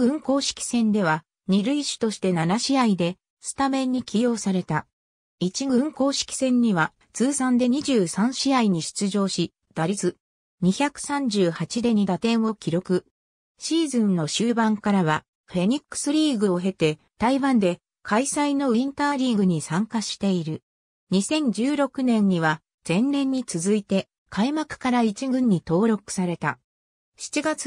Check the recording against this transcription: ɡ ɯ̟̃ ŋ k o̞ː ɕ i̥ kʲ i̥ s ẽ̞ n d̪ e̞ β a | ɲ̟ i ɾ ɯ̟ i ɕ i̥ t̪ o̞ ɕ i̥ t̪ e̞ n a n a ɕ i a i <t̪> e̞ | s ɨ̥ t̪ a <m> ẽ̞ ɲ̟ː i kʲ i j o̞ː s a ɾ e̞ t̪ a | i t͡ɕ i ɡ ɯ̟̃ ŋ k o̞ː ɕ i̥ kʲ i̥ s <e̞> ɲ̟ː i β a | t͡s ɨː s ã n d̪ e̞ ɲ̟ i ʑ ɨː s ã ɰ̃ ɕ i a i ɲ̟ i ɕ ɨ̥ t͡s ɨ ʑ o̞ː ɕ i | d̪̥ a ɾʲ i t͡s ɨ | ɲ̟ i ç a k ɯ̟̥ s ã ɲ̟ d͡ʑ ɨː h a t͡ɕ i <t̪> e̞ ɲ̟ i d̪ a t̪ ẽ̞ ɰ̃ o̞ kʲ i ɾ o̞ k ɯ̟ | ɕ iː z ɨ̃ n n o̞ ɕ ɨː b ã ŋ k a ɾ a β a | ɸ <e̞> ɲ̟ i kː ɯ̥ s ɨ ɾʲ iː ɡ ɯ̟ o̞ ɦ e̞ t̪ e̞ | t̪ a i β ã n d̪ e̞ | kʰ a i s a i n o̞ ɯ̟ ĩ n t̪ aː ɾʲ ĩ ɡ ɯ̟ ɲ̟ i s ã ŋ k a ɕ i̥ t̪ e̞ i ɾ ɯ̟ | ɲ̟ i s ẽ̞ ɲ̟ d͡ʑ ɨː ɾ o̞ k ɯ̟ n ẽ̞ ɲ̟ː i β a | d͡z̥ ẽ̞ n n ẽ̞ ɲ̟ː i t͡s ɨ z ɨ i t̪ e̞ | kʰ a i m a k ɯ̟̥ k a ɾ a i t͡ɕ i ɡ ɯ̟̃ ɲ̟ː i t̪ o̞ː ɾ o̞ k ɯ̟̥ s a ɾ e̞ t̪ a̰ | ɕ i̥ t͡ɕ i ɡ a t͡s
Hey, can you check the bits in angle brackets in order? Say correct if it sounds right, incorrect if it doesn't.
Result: incorrect, correct, incorrect, incorrect, correct

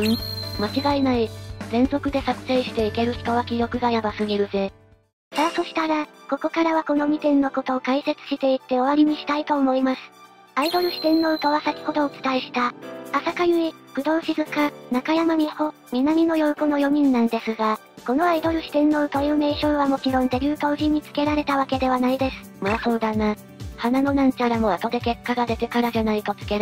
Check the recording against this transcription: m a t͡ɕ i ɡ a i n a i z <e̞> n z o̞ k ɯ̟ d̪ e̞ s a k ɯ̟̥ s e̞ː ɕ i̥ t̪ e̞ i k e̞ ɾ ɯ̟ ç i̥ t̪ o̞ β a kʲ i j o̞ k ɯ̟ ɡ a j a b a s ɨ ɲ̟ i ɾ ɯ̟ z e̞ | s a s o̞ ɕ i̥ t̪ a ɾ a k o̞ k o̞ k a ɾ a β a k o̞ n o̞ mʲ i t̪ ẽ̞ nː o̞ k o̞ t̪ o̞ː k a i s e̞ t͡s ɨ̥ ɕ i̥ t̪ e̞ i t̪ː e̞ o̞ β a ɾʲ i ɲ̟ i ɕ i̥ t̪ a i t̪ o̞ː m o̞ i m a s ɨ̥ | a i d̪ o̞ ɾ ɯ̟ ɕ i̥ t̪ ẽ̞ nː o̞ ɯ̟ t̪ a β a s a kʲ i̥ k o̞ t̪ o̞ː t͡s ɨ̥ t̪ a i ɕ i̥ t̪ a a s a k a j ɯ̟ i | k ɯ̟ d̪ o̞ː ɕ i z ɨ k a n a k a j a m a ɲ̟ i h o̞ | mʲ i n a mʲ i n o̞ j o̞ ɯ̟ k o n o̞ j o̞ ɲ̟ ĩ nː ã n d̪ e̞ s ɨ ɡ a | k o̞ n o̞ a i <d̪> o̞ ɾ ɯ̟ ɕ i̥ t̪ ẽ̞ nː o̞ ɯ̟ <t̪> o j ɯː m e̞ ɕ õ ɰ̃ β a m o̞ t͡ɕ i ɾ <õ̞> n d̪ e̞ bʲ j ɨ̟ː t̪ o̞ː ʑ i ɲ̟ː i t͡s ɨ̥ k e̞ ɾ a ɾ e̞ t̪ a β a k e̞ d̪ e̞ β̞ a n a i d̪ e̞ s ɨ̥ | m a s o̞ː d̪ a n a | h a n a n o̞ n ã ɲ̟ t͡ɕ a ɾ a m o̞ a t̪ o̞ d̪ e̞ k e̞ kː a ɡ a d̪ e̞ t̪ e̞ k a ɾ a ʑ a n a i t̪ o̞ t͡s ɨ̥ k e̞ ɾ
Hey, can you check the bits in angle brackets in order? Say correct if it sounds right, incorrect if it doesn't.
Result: incorrect, correct, correct, correct

